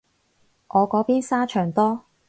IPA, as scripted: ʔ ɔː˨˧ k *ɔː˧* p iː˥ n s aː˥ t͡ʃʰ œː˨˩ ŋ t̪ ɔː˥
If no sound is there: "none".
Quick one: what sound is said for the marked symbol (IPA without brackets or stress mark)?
ɔː˨˥